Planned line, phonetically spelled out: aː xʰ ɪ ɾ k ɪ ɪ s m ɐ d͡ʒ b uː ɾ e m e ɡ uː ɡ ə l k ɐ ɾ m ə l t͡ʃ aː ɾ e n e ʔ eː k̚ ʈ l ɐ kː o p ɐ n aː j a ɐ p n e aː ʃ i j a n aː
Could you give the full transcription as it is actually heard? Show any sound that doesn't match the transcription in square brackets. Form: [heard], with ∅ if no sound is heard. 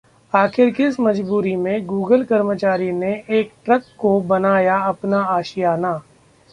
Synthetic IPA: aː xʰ ɪ ɾ k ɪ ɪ s m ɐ d͡ʒ b uː ɾ [i] m [ẽ] ɡ uː ɡ ə l k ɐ ɾ m ə [∅] t͡ʃ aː ɾ [i] n e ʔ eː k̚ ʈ [ɾ] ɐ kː o [b] ɐ n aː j a ɐ p n [a] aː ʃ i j a n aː